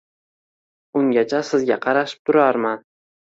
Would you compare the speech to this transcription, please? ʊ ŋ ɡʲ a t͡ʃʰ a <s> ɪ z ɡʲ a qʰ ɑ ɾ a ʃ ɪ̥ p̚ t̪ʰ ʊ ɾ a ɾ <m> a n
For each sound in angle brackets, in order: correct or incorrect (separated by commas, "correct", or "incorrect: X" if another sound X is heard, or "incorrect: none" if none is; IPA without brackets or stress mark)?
correct, correct